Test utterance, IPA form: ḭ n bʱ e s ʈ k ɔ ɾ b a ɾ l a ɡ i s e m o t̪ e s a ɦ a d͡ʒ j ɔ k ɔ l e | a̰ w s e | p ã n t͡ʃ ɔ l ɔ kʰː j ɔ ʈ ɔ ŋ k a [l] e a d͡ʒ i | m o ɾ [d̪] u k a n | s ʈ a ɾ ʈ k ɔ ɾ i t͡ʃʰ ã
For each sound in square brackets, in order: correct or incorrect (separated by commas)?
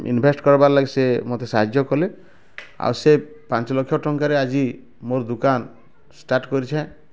incorrect, correct